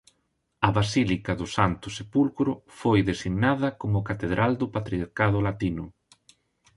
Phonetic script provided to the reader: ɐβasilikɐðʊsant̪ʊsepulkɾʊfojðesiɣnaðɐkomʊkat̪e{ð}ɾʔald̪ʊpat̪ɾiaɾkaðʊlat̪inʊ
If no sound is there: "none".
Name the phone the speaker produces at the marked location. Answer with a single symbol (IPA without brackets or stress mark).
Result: ð